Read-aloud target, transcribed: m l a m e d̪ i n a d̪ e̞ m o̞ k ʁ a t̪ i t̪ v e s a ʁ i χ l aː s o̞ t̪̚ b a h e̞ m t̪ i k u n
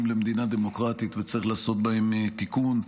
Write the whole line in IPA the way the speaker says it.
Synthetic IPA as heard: m l e m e d̪ i n a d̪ e̞ m o̞ k ʁ a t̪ i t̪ v e t͡s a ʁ i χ l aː s o̞ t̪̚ b a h e̞ m t̪ i k u n